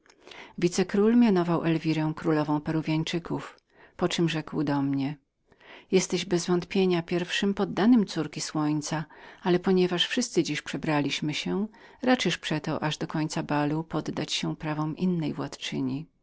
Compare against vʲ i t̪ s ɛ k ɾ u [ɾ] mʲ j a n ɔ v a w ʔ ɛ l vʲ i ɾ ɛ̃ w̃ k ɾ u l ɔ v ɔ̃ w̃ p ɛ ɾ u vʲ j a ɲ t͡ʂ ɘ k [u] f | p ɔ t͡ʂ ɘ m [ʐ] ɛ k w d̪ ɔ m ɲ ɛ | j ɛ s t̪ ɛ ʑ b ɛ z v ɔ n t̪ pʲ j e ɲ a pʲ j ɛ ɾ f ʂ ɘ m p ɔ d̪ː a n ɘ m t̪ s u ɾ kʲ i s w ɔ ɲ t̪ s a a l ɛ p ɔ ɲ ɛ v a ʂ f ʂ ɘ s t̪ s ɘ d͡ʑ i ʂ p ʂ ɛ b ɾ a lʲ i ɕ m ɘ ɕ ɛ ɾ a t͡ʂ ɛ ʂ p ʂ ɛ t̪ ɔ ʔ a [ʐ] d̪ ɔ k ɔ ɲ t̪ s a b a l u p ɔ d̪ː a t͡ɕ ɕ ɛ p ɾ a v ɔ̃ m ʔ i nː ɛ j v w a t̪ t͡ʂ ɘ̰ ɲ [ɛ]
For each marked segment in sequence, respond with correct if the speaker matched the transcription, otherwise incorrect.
incorrect: l, correct, correct, correct, incorrect: i

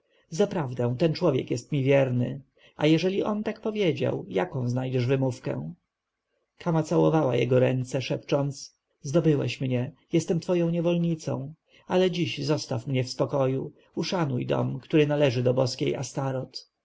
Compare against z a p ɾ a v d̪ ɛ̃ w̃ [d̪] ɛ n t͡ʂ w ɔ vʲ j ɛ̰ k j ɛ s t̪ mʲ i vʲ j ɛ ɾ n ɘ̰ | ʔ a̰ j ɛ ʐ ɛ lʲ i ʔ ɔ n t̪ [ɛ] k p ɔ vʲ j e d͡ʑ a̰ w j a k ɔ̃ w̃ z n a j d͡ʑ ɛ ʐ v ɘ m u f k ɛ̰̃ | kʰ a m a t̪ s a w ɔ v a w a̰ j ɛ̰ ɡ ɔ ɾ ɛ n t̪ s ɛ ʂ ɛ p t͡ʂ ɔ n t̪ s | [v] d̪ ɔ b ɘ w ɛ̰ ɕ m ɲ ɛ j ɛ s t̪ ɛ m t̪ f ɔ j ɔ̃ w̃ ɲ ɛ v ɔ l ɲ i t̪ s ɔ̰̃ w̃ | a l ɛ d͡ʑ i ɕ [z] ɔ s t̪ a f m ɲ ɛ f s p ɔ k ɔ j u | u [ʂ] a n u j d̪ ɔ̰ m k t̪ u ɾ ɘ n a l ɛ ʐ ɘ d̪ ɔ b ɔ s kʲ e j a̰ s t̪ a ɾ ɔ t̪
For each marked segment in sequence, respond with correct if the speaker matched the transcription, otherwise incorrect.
incorrect: t̪, incorrect: a, incorrect: z, correct, correct

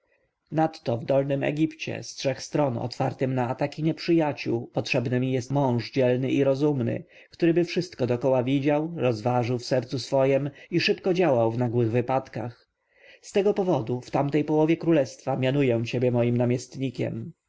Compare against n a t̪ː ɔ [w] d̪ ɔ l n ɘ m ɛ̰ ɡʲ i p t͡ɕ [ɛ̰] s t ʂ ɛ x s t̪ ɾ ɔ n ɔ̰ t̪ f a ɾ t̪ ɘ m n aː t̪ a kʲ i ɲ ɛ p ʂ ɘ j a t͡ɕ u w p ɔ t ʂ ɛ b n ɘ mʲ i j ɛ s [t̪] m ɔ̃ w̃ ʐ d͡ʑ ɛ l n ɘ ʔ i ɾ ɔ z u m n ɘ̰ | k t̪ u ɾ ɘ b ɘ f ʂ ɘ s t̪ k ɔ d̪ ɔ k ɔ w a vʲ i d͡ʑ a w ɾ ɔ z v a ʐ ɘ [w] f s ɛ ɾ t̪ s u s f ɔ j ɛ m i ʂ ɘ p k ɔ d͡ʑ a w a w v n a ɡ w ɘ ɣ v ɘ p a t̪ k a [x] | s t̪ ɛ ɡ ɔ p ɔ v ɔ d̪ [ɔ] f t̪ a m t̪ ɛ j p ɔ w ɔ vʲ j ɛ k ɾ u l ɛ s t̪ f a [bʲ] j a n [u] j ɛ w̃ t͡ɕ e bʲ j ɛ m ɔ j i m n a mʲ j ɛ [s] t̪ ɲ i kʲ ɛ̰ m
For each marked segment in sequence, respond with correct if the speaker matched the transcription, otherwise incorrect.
incorrect: v, correct, correct, correct, correct, incorrect: u, incorrect: mʲ, correct, correct

